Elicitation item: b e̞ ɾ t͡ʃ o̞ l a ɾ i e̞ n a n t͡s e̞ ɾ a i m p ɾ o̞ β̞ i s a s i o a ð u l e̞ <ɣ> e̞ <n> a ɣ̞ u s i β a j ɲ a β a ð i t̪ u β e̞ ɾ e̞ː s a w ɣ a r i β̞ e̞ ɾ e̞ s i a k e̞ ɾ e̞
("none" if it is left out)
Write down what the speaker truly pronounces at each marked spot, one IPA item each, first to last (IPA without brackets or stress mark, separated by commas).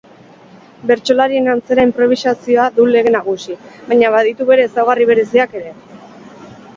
ɣ, n